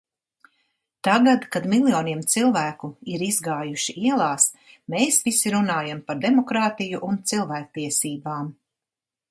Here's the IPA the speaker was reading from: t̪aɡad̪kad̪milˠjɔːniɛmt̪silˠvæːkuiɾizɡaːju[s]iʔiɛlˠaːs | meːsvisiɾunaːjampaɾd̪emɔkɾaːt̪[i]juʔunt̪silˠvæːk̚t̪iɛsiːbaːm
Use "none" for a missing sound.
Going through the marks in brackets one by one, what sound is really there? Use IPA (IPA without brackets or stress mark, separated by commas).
ʃ, i